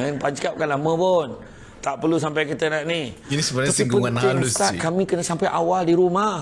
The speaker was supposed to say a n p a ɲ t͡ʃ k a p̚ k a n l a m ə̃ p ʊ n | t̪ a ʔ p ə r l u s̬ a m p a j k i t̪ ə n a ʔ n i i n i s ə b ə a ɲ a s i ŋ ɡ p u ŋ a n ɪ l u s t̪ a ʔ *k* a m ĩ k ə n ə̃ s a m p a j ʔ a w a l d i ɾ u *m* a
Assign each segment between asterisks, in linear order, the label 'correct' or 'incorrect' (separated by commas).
correct, correct